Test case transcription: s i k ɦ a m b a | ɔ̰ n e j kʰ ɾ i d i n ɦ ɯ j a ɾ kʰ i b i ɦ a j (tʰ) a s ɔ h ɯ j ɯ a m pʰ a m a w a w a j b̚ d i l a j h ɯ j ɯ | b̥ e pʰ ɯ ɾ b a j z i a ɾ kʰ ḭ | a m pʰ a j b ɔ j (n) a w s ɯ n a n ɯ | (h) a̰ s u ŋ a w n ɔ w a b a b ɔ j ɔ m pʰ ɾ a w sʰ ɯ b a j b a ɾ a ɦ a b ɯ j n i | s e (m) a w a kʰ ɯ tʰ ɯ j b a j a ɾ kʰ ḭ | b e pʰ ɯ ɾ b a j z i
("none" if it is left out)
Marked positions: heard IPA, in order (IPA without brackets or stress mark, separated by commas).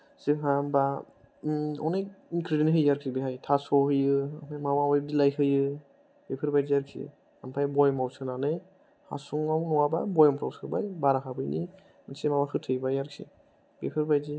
tʰ, m, h, m